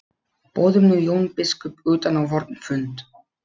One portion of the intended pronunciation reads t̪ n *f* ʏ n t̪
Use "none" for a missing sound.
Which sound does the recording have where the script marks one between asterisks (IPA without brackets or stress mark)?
f